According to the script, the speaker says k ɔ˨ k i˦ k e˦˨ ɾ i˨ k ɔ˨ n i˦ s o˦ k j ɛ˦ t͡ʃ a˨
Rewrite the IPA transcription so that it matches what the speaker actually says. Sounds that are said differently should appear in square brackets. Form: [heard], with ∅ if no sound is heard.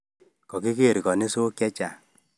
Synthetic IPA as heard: k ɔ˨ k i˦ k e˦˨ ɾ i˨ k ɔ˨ n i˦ s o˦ k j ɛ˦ t͡ʃ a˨